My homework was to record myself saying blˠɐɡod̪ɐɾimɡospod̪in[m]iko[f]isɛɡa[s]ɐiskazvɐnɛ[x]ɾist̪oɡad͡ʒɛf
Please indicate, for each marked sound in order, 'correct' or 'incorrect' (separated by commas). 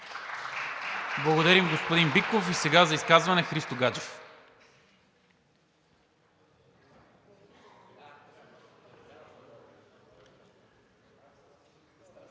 incorrect, correct, incorrect, correct